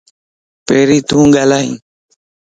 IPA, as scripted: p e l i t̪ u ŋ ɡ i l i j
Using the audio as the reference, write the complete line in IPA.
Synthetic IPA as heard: p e ɾ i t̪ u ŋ ɡ a l a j